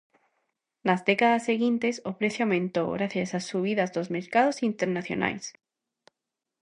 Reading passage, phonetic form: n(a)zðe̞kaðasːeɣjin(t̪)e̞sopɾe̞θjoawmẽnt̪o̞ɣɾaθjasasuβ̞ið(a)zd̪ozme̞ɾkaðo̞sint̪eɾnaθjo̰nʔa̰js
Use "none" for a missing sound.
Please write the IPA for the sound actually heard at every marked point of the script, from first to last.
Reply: a, t̪, a

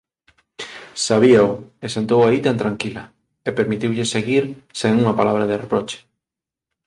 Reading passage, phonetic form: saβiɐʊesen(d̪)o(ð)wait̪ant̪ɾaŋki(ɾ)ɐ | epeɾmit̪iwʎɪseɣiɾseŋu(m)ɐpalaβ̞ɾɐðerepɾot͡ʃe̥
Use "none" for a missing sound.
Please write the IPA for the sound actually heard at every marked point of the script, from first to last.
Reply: t̪, none, l, ŋ

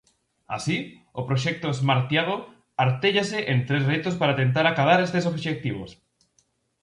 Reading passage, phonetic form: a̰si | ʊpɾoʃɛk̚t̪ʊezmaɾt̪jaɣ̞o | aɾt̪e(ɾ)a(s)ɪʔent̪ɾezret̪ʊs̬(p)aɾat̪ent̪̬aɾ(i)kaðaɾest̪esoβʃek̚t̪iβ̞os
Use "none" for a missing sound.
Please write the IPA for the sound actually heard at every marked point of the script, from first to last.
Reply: ʎ, s, p, a

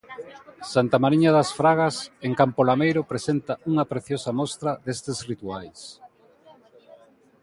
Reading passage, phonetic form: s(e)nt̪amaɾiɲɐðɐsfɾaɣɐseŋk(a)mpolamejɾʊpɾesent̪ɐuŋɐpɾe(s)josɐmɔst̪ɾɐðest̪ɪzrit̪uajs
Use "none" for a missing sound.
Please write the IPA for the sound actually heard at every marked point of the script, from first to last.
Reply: a, a, θ

